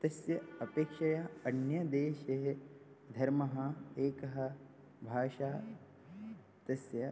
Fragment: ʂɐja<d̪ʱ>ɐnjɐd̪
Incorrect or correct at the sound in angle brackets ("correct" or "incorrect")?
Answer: incorrect